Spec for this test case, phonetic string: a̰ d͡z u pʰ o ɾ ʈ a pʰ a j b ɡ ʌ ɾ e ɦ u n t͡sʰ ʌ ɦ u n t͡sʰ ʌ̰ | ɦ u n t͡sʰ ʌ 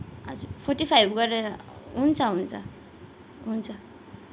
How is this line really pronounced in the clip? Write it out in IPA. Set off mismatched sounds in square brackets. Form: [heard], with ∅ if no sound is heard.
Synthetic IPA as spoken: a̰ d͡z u pʰ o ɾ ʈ [i] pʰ a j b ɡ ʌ ɾ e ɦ u n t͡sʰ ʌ ɦ u n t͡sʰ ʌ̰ | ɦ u n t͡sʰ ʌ